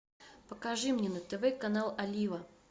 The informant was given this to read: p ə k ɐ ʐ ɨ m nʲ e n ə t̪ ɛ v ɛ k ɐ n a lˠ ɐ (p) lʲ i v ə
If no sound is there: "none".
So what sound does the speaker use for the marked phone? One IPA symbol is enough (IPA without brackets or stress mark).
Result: none